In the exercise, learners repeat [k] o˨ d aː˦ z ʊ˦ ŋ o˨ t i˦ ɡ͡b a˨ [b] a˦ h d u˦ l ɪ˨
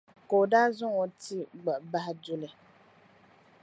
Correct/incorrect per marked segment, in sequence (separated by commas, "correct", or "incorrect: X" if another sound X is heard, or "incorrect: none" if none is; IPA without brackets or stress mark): correct, correct